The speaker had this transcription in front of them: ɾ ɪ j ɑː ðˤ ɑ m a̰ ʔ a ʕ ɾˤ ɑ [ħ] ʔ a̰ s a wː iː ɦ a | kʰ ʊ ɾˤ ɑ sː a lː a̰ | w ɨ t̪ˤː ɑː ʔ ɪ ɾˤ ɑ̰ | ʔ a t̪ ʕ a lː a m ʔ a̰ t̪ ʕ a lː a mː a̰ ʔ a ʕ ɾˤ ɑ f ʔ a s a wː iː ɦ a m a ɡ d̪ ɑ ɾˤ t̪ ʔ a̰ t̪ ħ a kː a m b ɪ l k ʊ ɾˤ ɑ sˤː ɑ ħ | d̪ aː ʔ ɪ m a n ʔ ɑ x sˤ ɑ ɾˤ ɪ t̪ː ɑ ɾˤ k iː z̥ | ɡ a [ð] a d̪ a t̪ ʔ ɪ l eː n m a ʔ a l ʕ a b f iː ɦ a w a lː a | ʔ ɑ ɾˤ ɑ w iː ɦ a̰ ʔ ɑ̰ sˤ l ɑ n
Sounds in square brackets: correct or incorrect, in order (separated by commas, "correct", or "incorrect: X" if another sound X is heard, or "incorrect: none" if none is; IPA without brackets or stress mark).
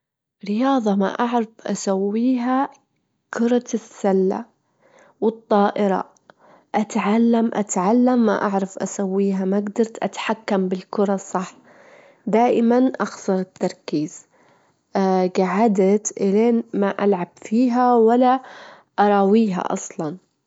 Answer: incorrect: f, incorrect: ʕ